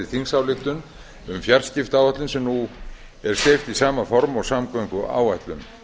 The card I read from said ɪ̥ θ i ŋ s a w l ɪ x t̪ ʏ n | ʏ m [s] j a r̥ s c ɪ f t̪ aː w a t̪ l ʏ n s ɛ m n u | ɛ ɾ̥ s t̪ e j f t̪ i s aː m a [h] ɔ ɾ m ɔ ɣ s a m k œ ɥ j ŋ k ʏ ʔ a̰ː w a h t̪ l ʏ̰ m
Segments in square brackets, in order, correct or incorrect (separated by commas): incorrect, incorrect